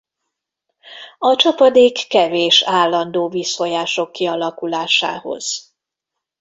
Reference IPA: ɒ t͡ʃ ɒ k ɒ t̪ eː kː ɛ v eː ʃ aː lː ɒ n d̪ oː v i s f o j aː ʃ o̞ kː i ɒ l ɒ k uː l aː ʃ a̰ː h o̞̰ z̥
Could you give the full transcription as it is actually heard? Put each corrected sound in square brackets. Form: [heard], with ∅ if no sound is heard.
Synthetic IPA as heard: ɒ t͡ʃ ɒ [p] ɒ [d̪] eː kː ɛ v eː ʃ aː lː ɒ n d̪ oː v i s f o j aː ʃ o̞ kː i ɒ l ɒ k [u] l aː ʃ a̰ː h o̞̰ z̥

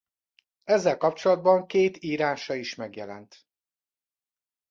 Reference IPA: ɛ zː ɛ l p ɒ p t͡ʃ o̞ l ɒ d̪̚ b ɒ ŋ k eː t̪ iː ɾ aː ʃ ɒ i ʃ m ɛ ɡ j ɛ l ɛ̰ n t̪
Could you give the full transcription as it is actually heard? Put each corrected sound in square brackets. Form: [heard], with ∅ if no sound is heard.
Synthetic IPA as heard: ɛ zː ɛ l [k] ɒ p t͡ʃ o̞ l ɒ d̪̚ b ɒ ŋ k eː t̪ iː ɾ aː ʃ ɒ i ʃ m ɛ ɡ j ɛ l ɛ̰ n t̪

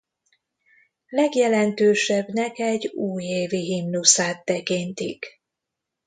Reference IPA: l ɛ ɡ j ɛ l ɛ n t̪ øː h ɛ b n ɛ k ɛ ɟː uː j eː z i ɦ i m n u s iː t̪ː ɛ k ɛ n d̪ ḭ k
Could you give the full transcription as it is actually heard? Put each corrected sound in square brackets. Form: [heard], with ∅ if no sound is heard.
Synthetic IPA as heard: l ɛ ɡ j ɛ l ɛ n t̪ øː [ʃ] ɛ b n ɛ k ɛ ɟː uː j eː [v] i ɦ i m n u s [aː] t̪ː ɛ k [i] n [t̪] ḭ k

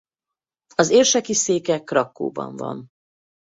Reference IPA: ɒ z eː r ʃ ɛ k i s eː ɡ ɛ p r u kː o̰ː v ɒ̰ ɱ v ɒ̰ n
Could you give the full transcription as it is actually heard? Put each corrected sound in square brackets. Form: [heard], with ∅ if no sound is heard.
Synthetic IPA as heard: ɒ z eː r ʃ ɛ k i s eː [k] ɛ [k] r [ɒ] kː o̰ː [b] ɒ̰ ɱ v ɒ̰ n

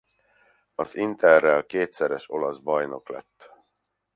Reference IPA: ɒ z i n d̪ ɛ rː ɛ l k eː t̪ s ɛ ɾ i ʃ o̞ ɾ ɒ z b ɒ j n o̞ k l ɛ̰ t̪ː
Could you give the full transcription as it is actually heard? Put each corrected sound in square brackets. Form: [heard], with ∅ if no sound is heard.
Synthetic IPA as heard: ɒ z i n [t̪] ɛ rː ɛ l k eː t̪ s ɛ ɾ [ɛ] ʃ o̞ [l] ɒ z b ɒ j n o̞ k l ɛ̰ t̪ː

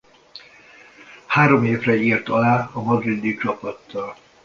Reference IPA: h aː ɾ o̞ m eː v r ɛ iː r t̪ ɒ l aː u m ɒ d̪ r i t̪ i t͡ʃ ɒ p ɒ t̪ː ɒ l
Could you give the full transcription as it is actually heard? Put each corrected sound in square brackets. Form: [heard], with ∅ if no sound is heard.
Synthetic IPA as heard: h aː ɾ o̞ m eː v r ɛ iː r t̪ ɒ l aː [ɒ] m ɒ d̪ r i [d̪] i t͡ʃ ɒ p ɒ t̪ː ɒ l

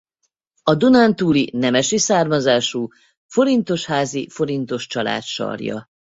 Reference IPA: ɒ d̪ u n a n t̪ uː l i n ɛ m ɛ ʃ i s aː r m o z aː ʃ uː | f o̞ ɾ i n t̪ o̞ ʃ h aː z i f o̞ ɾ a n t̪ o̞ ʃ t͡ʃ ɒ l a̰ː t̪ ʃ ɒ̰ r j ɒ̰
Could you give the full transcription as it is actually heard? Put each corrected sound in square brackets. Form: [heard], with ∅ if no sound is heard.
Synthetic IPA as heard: ɒ d̪ u n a n t̪ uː l i n ɛ m ɛ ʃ i s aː r m [ɒ] z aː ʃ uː | f o̞ ɾ i n t̪ o̞ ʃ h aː z i f o̞ ɾ [i] n t̪ o̞ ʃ t͡ʃ ɒ l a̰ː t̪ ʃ ɒ̰ r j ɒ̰

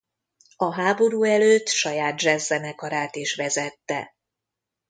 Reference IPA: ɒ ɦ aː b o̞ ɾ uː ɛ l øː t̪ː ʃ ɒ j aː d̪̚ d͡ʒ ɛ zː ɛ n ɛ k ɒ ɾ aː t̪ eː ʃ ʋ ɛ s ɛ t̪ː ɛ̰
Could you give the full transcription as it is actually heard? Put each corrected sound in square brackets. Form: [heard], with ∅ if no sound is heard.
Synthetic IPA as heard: ɒ ɦ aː b o̞ ɾ uː ɛ l øː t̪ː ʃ ɒ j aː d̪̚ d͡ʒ ɛ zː ɛ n ɛ k ɒ ɾ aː t̪ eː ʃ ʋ ɛ [z] ɛ t̪ː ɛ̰

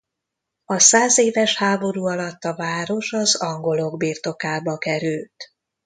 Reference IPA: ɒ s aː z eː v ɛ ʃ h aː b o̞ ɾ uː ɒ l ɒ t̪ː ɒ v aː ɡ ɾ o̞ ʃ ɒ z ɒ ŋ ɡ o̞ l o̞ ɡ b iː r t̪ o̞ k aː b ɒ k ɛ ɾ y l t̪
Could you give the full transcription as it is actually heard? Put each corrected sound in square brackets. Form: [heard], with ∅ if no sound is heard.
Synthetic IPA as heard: ɒ s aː z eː v ɛ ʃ h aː b o̞ ɾ uː ɒ l ɒ t̪ː ɒ v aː [∅] ɾ o̞ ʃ ɒ z ɒ ŋ ɡ o̞ l o̞ ɡ b iː r t̪ o̞ k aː b ɒ k ɛ ɾ y l t̪

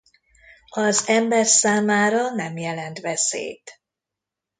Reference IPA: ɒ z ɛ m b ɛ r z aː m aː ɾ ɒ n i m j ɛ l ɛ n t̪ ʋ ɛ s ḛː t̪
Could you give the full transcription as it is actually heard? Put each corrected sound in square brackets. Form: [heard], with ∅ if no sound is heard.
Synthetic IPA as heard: ɒ z ɛ m b ɛ r [s] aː m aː ɾ ɒ n [ɛ] m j ɛ l ɛ n t̪ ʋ ɛ s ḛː t̪

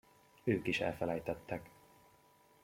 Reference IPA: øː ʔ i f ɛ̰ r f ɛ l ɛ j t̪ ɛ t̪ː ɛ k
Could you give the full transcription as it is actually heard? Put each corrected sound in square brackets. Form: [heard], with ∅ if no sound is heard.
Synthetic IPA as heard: øː [k] i [ʃ] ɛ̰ [l] f ɛ l ɛ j t̪ ɛ t̪ː ɛ k

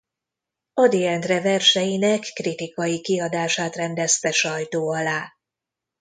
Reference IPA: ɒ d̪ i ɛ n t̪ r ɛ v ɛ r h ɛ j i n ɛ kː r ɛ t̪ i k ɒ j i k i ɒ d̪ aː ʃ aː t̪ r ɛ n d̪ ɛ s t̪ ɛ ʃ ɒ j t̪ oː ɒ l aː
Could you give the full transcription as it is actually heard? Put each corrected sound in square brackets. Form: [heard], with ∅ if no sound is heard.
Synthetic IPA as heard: ɒ d̪ i ɛ n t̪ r ɛ v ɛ r [ʃ] ɛ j i n ɛ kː r [i] t̪ i k ɒ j i k i ɒ d̪ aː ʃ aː t̪ r ɛ n d̪ ɛ s t̪ ɛ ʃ ɒ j t̪ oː ɒ l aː

